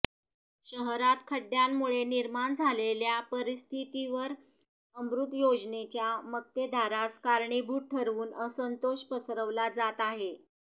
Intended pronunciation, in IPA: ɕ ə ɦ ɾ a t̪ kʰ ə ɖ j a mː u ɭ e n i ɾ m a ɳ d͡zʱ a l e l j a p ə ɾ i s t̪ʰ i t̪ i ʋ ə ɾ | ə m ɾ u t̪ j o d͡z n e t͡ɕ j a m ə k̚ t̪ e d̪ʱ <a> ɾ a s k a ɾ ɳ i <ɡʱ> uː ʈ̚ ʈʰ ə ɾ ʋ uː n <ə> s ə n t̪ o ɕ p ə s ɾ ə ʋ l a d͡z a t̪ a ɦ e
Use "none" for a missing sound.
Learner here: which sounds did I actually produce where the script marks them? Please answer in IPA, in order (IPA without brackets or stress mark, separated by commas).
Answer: a, bʱ, ə